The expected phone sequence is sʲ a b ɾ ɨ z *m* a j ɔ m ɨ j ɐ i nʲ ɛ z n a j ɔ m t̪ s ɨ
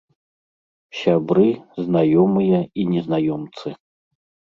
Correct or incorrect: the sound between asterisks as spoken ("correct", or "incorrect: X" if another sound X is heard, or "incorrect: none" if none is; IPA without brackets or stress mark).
incorrect: n